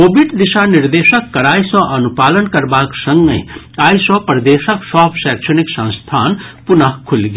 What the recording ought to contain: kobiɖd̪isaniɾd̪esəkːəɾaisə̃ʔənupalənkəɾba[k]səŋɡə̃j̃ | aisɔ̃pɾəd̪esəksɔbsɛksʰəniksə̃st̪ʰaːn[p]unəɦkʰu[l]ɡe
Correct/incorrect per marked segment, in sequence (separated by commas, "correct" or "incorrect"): correct, correct, correct